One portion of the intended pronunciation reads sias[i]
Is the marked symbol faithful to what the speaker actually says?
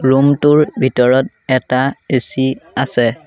no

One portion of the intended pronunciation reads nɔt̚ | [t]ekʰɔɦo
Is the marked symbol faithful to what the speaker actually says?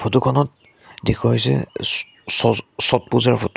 no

